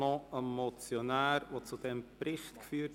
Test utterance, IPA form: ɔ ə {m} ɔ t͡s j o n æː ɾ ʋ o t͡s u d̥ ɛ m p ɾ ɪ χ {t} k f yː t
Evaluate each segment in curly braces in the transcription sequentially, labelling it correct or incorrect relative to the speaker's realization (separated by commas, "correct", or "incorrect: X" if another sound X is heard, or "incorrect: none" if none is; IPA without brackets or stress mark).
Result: correct, correct